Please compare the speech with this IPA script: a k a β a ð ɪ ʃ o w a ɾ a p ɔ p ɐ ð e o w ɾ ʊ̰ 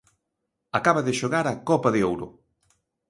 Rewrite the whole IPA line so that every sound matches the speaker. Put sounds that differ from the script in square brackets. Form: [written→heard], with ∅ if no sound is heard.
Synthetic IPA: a k a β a ð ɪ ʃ o [w→ɣ] a ɾ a [p→k] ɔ p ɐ ð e o w ɾ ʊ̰